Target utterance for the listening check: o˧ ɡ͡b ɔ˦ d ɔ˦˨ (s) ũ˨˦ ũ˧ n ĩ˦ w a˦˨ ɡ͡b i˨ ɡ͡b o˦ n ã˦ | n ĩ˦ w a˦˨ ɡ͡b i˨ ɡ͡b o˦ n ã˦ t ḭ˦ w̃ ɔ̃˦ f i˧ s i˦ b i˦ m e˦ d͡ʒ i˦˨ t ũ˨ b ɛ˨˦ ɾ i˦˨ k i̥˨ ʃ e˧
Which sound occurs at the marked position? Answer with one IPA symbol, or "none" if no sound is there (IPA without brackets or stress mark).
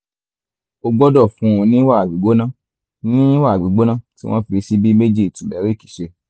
f